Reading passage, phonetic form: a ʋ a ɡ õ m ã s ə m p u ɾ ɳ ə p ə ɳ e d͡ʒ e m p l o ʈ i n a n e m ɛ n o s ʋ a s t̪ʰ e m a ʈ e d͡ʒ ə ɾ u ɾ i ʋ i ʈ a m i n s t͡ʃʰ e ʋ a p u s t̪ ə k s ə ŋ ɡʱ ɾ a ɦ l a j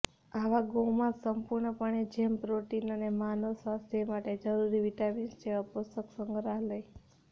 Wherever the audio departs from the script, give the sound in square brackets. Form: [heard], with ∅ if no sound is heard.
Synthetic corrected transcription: a ʋ a ɡ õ m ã s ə m p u ɾ ɳ ə p ə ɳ e d͡ʒ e m p [ɾ] o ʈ i n [ə] n e m [a] n o s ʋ a s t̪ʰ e m a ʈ e d͡ʒ ə ɾ u ɾ i ʋ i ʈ a m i n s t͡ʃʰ e ʋ a p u s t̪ ə k s ə ŋ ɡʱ ɾ a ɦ l [ə] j